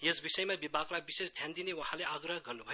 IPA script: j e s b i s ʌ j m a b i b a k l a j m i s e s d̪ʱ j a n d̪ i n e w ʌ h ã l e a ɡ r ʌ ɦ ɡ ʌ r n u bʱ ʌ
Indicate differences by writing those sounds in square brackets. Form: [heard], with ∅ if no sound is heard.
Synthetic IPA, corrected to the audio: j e s b i s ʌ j m a b i b a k l a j [b] i s e s d̪ʱ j a n d̪ i n e w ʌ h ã l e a ɡ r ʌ ɦ ɡ ʌ r n u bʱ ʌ

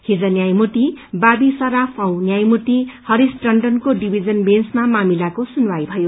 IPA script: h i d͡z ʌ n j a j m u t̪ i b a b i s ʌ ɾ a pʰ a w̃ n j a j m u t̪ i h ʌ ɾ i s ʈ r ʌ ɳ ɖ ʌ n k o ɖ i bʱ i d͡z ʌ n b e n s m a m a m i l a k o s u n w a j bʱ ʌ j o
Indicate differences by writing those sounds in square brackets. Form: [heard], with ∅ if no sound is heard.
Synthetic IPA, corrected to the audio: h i d͡z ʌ n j a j m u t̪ i b a b i s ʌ ɾ a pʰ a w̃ n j a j m u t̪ i h ʌ ɾ i s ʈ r ʌ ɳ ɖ ʌ n k o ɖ i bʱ i d͡z ʌ n b e n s m a m a m i l a k o s u n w a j bʱ ʌ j o

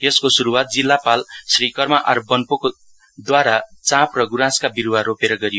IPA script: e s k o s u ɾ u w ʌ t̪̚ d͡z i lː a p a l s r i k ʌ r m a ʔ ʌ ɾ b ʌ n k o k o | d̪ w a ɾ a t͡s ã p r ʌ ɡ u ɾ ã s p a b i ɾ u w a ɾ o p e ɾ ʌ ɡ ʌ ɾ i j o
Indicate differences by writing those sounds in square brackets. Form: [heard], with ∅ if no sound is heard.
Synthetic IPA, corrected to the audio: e s k o s u ɾ u w [a] t̪̚ d͡z i lː a p a l s r i k ʌ r m a ʔ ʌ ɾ b ʌ n [p] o k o | d̪ w a ɾ a t͡s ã p r ʌ ɡ u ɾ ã s [k] a b i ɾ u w a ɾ o p e ɾ ʌ ɡ ʌ ɾ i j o

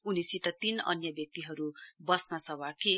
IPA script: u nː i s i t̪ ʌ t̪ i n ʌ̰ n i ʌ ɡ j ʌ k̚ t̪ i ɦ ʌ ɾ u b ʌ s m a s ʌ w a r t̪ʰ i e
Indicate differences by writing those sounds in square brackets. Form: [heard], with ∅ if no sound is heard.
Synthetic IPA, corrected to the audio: u [n] i s i t̪ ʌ t̪ i n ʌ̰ n [j] ʌ [b] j ʌ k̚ t̪ i ɦ ʌ ɾ u b ʌ s m a s ʌ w a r t̪ʰ i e

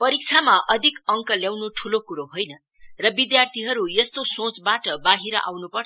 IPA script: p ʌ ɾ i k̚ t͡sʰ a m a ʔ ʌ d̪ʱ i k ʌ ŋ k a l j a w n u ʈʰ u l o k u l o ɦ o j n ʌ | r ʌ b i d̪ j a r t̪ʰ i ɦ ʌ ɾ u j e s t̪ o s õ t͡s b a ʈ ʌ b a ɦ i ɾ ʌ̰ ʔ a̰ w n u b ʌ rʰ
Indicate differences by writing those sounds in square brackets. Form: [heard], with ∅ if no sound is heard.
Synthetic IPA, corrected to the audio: p ʌ ɾ i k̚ t͡sʰ a m a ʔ ʌ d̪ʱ i k ʌ ŋ k [ʌ] l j a w n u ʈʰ u l o k u [ɾ] o ɦ o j n ʌ | r ʌ b i d̪ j a r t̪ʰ i ɦ ʌ ɾ u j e s t̪ o s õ t͡s b a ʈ ʌ b a ɦ i ɾ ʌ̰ ʔ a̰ w n u [p] ʌ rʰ

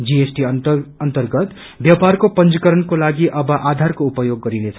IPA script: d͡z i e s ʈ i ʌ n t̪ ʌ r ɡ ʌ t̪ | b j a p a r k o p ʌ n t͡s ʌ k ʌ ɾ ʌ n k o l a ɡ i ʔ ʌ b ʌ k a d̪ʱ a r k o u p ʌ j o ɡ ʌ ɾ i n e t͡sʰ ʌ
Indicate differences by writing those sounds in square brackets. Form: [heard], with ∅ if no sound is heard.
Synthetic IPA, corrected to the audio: d͡z i e s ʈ i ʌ n t̪ ʌ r ɡ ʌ t̪ | b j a p a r k o p ʌ n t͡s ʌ k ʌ ɾ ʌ n k o l a ɡ i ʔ ʌ b ʌ [ʔ] a d̪ʱ a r k o u p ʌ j o [ɡː] ʌ ɾ i n e t͡sʰ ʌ

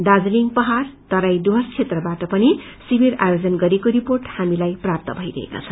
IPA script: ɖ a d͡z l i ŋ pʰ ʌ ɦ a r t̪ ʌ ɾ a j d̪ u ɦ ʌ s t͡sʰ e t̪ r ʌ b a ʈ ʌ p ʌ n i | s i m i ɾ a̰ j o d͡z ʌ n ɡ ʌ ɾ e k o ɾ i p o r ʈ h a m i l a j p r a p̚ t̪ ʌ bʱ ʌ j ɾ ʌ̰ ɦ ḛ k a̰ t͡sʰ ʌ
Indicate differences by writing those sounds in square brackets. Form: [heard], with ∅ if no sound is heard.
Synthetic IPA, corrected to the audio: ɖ a d͡z l i ŋ [p] ʌ ɦ a r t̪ ʌ ɾ a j d̪ u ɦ ʌ s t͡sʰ e t̪ r ʌ b a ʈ ʌ p ʌ n i | s i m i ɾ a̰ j o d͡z ʌ n ɡ ʌ ɾ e k o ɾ i p o r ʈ h a m i l a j p r a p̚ t̪ ʌ bʱ ʌ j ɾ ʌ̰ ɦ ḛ k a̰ t͡sʰ ʌ

